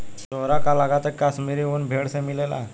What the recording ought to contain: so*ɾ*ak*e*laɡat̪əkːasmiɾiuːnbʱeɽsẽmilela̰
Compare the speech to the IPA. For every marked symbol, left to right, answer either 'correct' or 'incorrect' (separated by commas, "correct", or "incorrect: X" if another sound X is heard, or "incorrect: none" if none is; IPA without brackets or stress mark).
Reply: correct, incorrect: a